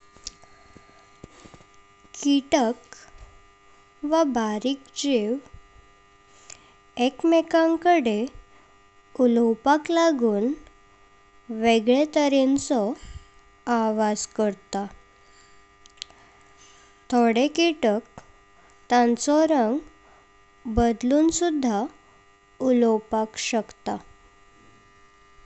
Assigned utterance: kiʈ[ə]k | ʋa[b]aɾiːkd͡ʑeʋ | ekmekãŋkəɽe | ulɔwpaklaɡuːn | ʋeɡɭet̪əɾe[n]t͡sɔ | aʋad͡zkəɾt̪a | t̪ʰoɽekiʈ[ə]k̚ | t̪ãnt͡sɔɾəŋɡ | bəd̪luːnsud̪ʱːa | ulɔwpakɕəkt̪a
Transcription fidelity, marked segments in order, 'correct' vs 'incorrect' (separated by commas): correct, correct, correct, correct